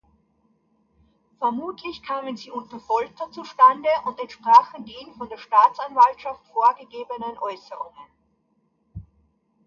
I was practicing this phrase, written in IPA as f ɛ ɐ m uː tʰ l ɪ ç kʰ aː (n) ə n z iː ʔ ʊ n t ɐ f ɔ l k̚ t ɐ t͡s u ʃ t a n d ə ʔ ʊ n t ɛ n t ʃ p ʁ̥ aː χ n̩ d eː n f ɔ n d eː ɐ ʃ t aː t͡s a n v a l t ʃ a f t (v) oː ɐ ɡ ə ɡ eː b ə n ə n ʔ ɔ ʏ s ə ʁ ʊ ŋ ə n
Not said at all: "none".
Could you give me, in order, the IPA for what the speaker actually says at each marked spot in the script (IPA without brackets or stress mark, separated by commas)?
m, f